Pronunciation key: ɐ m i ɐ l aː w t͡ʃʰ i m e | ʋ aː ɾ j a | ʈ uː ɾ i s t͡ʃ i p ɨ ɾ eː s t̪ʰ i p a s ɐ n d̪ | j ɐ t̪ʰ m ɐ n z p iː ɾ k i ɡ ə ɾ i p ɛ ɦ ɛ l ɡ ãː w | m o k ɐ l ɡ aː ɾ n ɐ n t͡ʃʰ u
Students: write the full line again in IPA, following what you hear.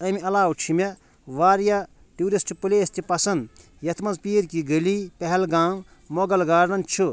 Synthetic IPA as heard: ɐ m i ɐ l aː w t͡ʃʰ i m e | ʋ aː ɾ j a | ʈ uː ɾ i s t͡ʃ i p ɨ l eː s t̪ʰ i p ɐ s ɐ n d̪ | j ɐ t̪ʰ m ɐ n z p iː ɾ k i ɡ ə l i p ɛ ɦ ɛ l ɡ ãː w | m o ɡ ɐ l ɡ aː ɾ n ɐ n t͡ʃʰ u